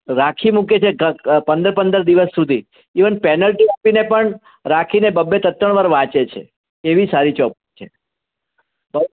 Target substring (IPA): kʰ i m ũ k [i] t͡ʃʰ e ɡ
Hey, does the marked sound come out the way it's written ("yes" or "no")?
no